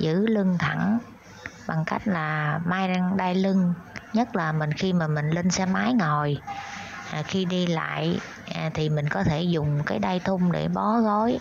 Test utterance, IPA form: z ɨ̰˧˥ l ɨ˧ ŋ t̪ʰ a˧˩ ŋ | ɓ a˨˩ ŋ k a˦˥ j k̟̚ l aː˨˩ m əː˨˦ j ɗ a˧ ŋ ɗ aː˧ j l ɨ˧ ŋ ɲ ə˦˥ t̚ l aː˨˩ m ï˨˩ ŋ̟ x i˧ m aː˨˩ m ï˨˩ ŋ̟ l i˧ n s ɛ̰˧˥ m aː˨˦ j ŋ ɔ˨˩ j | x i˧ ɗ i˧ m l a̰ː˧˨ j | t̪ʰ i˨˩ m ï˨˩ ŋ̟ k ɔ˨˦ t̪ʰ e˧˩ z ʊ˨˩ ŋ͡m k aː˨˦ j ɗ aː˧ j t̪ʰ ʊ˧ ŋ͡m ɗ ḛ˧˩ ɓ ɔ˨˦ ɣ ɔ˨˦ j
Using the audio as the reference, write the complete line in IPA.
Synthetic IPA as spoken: z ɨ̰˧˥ l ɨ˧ ŋ t̪ʰ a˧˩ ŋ | ɓ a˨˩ ŋ k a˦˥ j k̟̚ l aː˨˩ m aː˨˦ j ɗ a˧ ŋ ɗ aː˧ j l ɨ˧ ŋ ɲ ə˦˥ t̚ l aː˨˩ m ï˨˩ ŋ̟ x i˧ m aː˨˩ m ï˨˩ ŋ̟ l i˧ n s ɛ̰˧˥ m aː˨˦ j ŋ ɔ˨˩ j | x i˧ ɗ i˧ l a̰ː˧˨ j | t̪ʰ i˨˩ m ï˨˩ ŋ̟ k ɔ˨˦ t̪ʰ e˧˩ z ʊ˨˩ ŋ͡m k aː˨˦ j ɗ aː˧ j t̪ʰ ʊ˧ ŋ͡m ɗ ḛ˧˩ ɓ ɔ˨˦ ɣ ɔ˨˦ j